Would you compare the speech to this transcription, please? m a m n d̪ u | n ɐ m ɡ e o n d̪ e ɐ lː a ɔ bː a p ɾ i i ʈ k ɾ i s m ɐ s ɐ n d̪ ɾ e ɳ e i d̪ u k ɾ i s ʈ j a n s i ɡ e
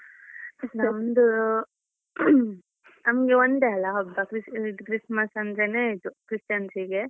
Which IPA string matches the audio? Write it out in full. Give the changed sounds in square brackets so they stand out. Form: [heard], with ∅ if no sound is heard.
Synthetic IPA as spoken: [n] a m n d̪ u | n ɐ m ɡ e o n d̪ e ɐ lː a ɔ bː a [k] ɾ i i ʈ k ɾ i s m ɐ s ɐ n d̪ ɾ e [n] e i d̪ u k ɾ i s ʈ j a n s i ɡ e